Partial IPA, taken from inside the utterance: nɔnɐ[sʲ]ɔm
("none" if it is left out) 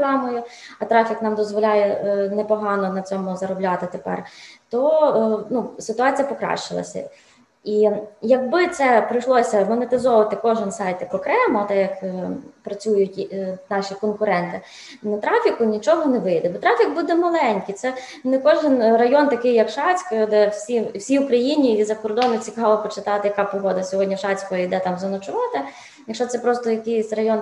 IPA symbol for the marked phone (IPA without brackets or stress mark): t͡sʲ